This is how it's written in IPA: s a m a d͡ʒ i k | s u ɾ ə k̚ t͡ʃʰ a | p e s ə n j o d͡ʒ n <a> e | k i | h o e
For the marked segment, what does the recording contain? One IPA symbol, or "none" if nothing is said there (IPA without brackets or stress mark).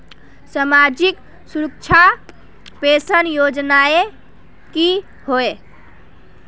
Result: a